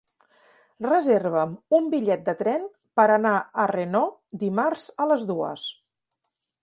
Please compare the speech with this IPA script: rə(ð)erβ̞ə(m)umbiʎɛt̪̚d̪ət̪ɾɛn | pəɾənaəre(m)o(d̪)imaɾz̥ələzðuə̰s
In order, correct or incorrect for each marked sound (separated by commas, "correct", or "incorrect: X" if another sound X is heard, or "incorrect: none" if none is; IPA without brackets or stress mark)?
incorrect: z, correct, incorrect: n, correct